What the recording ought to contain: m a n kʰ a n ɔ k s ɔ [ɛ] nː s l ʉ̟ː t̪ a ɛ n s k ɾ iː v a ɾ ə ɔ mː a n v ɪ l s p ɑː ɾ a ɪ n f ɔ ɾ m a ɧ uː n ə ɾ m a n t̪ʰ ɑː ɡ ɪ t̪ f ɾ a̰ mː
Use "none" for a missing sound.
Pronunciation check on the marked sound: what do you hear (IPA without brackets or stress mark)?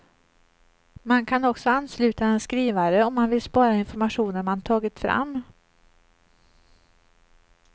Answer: a